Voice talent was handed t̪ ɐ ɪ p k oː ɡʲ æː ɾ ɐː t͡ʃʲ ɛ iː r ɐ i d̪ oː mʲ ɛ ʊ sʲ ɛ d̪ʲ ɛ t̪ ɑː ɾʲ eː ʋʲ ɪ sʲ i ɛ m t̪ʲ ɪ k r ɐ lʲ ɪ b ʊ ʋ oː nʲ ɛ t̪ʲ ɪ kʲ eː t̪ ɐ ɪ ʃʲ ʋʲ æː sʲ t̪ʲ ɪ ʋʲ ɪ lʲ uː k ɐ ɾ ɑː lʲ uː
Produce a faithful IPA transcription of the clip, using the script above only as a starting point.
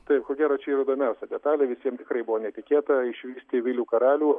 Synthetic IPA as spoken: t̪ ɐ ɪ p k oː ɡʲ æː ɾ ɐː t͡ʃʲ ɛ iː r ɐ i d̪ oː mʲ ɛ ʊ sʲ ɛ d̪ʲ ɛ t̪ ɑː lʲ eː ʋʲ ɪ sʲ i ɛ m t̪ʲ ɪ k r ɐ ɪ b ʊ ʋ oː nʲ ɛ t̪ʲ ɪ kʲ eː t̪ ɐ ɪ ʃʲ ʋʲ iː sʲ t̪ʲ ɪ ʋʲ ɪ lʲ uː k ɐ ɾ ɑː lʲ uː